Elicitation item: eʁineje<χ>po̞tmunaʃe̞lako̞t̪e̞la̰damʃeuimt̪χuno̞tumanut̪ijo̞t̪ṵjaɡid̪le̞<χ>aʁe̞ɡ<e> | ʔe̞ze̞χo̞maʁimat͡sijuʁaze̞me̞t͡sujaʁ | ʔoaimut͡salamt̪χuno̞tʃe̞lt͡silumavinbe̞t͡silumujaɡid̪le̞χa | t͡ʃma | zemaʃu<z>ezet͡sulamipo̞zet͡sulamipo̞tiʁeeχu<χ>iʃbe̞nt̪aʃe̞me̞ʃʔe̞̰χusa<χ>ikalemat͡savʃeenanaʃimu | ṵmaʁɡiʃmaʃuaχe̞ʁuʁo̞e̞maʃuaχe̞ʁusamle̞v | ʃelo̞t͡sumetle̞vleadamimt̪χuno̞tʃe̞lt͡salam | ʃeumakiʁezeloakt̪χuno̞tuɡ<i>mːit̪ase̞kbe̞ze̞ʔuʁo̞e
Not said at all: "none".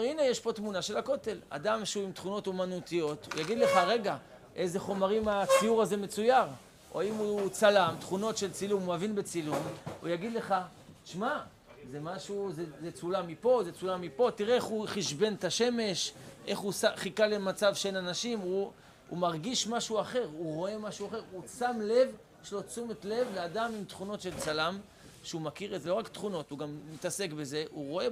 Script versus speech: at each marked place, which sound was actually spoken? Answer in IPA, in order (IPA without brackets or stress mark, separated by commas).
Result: ʃ, χ, a, z, χ, χ, a